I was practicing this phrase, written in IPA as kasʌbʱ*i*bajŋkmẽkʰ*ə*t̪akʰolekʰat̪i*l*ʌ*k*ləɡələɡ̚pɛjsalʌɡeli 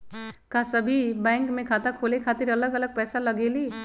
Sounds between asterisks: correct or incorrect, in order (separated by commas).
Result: correct, incorrect, incorrect, incorrect